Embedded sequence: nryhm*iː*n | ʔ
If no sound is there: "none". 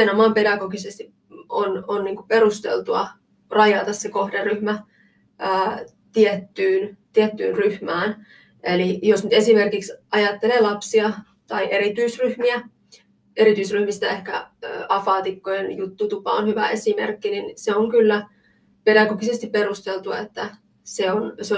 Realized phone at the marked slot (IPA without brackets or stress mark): æː